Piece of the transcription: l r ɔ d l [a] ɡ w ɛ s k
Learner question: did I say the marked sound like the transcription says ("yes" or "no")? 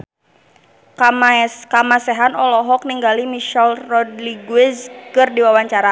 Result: no